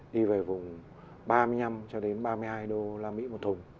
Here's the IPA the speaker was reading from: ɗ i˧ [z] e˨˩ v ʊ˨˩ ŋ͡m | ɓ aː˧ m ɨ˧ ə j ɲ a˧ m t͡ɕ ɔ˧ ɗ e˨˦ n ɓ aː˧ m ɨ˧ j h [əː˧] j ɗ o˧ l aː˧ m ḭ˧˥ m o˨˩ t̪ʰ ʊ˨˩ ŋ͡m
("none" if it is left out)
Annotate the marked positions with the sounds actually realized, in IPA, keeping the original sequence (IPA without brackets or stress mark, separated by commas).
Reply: v, aː˧